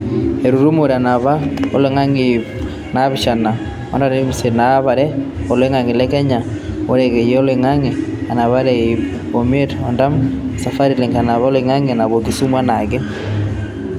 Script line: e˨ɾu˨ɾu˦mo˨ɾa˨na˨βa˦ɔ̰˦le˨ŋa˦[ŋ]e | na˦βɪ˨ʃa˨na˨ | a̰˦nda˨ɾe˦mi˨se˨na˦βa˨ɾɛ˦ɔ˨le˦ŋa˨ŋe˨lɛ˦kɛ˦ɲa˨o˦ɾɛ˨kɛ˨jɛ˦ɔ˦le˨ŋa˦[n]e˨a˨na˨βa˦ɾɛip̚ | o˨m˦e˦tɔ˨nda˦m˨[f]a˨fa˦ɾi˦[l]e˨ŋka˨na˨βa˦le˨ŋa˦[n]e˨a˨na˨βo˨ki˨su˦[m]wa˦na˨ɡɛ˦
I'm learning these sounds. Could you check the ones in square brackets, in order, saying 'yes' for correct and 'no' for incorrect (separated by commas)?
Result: yes, no, no, yes, no, yes